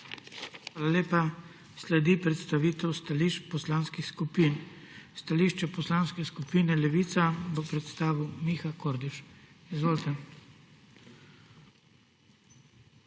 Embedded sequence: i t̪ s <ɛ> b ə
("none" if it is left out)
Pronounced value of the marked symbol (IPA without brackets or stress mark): a